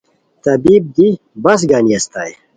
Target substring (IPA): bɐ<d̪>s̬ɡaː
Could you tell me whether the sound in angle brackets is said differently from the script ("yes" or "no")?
yes